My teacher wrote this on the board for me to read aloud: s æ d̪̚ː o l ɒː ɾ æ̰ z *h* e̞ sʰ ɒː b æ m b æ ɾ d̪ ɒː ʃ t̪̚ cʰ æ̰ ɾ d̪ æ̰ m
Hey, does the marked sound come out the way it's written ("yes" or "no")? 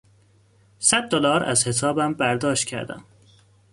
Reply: yes